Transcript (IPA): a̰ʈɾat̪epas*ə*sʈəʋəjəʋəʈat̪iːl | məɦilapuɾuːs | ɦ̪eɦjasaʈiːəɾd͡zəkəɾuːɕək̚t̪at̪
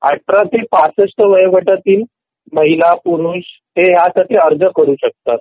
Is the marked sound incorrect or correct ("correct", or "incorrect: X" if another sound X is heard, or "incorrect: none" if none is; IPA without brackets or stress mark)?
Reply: correct